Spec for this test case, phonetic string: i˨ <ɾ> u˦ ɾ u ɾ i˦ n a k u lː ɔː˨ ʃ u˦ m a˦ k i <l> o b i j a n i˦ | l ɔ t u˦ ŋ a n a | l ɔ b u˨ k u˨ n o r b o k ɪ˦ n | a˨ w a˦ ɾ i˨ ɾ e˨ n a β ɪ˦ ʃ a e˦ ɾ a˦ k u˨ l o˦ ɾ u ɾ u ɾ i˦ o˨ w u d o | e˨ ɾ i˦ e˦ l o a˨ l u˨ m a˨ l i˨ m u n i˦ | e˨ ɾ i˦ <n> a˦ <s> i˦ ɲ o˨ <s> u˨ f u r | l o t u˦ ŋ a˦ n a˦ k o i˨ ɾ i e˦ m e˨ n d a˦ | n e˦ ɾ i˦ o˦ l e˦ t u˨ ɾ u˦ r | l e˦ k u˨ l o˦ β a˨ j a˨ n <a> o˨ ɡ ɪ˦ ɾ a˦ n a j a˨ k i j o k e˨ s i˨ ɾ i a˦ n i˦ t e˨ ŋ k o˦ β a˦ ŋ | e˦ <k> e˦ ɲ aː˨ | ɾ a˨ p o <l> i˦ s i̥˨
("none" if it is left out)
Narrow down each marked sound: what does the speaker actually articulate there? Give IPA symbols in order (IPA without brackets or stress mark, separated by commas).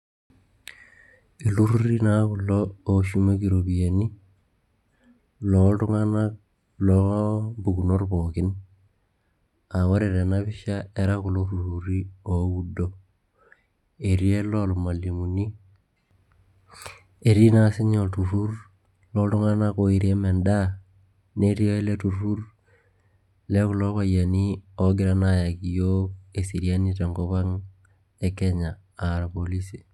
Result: l, ɾ, n, s, t, i, k, l